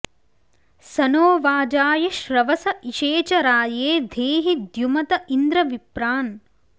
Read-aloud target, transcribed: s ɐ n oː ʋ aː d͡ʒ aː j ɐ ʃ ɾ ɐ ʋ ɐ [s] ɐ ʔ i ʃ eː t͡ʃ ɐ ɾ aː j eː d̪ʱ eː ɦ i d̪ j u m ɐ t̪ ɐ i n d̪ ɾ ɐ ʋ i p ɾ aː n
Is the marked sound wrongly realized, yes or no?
no